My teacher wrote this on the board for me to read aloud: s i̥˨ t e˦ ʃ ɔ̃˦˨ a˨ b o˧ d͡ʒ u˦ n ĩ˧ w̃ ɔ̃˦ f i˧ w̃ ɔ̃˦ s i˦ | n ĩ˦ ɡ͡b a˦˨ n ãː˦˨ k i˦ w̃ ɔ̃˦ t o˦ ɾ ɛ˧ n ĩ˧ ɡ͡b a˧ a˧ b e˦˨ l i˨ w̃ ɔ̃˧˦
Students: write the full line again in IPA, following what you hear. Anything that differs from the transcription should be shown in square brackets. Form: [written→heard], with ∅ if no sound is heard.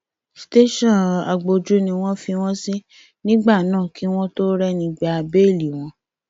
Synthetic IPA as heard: s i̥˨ t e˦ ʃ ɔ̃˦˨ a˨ [b→ɡ͡b] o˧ d͡ʒ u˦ n ĩ˧ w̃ ɔ̃˦ f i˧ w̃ ɔ̃˦ s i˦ | n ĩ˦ ɡ͡b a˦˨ n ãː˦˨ k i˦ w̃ ɔ̃˦ t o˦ ɾ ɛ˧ n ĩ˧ ɡ͡b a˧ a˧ b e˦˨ l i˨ w̃ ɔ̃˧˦